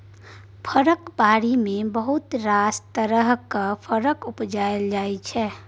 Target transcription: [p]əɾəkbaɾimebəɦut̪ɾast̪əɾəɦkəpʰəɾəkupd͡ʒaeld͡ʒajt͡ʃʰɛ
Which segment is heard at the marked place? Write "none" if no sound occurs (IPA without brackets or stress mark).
pʰ